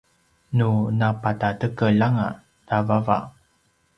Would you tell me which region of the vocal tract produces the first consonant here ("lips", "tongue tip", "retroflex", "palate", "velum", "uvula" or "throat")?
tongue tip